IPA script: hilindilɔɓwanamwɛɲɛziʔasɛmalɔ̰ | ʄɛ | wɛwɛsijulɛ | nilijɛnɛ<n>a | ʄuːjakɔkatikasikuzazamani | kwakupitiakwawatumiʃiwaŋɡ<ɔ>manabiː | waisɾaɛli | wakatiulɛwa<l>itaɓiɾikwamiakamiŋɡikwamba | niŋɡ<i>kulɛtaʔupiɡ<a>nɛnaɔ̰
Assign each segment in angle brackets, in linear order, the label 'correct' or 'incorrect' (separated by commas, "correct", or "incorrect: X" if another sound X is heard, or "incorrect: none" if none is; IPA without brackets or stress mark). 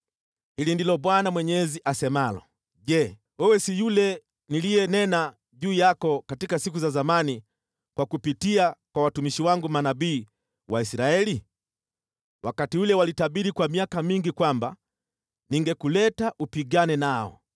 correct, incorrect: u, correct, incorrect: ɛ, correct